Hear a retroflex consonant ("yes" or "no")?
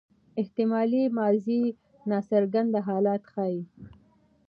no